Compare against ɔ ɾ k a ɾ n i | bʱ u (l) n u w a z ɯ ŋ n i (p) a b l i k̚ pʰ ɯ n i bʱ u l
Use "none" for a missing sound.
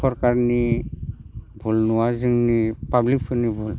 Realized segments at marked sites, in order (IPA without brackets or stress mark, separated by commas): l, p